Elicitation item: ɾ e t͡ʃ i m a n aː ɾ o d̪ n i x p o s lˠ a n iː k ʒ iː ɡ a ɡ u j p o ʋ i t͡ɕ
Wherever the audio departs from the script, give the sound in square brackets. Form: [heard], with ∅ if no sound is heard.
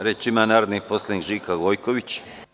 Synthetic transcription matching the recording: ɾ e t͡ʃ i m a n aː ɾ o d̪ n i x p o s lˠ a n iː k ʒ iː [k] a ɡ [o] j [k] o ʋ i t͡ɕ